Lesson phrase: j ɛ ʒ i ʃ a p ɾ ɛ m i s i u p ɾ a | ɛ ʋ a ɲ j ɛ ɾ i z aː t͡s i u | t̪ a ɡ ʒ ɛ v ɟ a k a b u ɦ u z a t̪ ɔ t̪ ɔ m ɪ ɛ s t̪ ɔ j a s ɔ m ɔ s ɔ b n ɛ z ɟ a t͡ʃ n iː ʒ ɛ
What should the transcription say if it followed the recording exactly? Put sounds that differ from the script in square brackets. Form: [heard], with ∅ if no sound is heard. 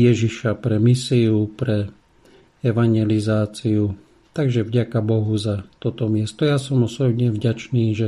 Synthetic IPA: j ɛ ʒ i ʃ a p ɾ ɛ m i s i u p ɾ [ɛ] | ɛ ʋ a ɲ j ɛ [l] i z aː t͡s i u | t̪ a ɡ ʒ ɛ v ɟ a k a b [ɔ] ɦ u z a t̪ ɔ t̪ ɔ m ɪ ɛ s t̪ ɔ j a s ɔ m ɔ s ɔ b [ɲ] ɛ [v] ɟ a t͡ʃ n iː ʒ ɛ